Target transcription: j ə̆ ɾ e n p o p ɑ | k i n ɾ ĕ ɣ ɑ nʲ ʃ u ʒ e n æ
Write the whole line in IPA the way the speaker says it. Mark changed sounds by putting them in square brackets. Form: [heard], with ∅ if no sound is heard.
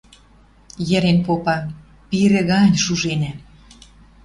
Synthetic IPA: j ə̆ ɾ e n p o p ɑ | [p] i [∅] ɾ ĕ ɣ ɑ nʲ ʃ u ʒ e n æ